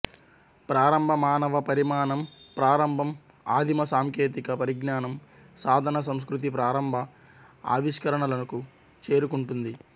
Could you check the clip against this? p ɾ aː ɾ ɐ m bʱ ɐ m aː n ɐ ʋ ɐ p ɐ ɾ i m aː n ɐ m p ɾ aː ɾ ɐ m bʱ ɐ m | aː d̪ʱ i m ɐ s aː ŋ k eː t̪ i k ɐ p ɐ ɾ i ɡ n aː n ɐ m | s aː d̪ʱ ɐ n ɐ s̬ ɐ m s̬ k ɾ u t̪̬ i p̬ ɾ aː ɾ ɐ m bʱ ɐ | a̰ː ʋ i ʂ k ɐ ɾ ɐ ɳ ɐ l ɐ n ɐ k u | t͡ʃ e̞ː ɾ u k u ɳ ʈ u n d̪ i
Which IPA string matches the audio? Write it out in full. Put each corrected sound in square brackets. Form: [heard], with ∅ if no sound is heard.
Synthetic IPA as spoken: p ɾ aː ɾ ɐ m bʱ ɐ m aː n ɐ ʋ ɐ p ɐ ɾ i m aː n ɐ m p ɾ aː ɾ ɐ m bʱ ɐ m | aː d̪ʱ i m ɐ s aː ŋ k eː t̪ i k ɐ p ɐ ɾ i ɡ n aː n ɐ m | s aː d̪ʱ ɐ n ɐ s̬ ɐ m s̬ k ɾ u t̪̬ i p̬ ɾ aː ɾ ɐ m bʱ ɐ | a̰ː ʋ i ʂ k ɐ ɾ ɐ ɳ ɐ l ɐ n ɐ k u | t͡ʃ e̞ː ɾ u k u ɳ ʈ u n d̪ i